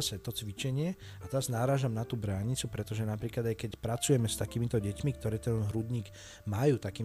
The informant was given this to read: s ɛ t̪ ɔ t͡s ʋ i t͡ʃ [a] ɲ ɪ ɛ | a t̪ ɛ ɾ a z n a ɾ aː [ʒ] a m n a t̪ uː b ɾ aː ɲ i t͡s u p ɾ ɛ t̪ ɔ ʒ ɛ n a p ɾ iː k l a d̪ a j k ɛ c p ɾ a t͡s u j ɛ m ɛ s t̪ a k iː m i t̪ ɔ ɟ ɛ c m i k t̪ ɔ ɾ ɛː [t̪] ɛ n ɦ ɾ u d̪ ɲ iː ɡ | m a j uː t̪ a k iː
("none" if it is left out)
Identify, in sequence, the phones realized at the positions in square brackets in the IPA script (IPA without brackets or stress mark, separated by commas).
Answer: ɛ, ʒ, t̪